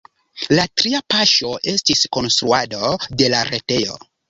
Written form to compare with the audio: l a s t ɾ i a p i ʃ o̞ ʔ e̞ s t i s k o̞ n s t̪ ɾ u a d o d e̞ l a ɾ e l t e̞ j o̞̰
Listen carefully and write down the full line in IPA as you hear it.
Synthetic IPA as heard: l a t ɾ i a p a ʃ o̞ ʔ e̞ s t i s k o̞ n s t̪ ɾ u a d o d e̞ l a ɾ e t e̞ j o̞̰